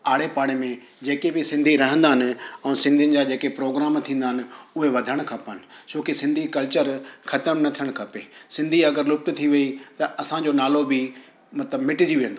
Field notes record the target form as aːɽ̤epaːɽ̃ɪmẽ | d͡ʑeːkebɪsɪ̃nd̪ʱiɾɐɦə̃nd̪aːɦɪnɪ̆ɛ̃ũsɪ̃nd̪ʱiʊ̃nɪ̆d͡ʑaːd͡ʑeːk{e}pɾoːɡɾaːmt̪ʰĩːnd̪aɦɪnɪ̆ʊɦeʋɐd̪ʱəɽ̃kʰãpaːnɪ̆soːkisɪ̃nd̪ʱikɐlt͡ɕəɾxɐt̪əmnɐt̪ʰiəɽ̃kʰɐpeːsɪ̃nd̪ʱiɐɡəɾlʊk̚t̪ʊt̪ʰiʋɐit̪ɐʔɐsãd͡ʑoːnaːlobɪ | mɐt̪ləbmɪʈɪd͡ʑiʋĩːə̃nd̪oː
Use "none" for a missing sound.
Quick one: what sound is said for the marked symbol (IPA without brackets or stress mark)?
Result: e